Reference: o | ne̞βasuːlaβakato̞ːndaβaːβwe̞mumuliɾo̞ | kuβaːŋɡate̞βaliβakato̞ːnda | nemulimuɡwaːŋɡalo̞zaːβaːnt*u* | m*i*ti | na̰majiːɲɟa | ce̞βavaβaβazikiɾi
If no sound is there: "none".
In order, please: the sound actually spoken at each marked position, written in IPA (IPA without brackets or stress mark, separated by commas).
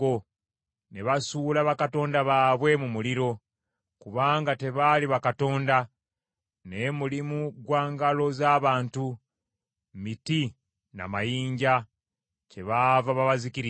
u, i